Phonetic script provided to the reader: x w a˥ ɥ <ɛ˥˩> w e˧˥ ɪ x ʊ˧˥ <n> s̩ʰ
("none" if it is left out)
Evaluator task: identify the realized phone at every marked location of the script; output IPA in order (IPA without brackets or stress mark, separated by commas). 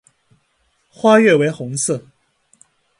ɛ˥˩, ŋ